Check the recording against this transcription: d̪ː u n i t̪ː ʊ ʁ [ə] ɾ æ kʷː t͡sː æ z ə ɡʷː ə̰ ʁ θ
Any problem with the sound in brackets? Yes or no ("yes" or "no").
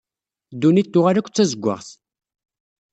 yes